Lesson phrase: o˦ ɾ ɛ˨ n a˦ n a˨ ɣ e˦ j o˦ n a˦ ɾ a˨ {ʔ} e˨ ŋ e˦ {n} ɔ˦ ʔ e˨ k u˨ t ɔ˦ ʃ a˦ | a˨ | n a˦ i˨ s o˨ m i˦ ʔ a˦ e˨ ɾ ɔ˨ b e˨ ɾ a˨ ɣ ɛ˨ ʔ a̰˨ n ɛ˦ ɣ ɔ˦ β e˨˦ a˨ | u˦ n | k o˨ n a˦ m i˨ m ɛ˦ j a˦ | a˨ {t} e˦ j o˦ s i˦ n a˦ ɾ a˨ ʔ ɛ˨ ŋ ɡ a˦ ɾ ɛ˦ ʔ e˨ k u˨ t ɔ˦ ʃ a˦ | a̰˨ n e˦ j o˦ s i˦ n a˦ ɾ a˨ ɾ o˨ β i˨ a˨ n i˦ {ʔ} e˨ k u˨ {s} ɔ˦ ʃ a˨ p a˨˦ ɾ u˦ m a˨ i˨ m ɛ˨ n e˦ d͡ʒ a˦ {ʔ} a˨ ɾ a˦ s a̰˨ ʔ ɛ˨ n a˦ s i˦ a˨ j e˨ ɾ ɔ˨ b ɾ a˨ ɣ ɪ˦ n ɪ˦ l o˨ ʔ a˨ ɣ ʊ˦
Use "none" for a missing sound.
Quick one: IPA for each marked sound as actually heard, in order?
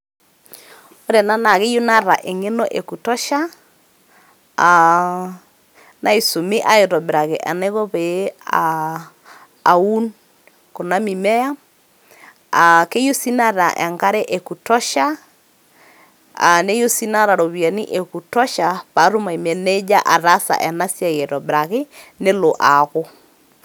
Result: ʔ, n, k, ʔ, t, ʔ

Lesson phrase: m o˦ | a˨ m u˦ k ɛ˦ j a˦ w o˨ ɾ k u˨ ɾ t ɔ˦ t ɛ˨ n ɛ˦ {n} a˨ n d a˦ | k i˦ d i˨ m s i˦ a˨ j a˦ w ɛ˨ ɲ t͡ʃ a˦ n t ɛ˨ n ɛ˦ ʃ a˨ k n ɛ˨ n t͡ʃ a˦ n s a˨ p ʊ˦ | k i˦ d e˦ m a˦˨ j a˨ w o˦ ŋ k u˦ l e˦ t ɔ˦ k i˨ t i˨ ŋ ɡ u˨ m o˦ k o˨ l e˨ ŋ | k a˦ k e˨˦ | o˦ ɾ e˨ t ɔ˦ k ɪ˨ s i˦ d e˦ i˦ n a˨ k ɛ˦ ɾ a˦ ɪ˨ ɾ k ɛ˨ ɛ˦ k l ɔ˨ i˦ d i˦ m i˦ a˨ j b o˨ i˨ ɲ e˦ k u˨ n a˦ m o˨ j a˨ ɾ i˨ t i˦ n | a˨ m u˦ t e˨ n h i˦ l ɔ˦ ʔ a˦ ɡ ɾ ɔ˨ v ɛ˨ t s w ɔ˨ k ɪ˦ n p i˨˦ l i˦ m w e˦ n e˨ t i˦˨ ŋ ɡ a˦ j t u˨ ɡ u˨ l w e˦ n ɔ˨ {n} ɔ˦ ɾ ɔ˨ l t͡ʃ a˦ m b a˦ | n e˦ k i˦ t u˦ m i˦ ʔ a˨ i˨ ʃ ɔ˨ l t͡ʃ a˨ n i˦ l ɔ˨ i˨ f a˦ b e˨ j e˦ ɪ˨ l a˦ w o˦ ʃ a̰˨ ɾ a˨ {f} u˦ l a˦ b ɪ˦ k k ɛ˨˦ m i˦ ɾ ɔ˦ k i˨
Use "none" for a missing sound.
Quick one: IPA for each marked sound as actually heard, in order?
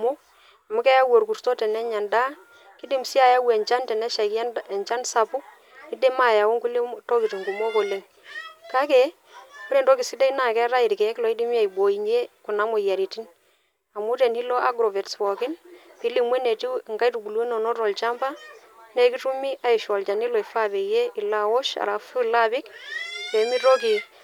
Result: ɲ, n, f

